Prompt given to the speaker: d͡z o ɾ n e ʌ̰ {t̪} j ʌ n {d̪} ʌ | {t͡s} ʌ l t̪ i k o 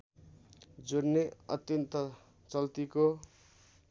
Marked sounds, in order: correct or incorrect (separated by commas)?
correct, incorrect, correct